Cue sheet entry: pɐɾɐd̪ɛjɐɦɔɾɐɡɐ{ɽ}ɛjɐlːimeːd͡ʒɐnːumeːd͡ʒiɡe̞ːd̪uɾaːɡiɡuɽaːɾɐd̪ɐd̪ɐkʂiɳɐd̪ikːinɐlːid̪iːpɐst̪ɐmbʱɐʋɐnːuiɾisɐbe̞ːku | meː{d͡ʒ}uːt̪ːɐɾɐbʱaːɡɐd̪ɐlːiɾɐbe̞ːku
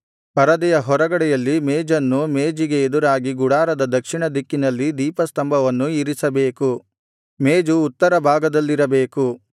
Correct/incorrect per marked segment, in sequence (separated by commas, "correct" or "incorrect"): correct, correct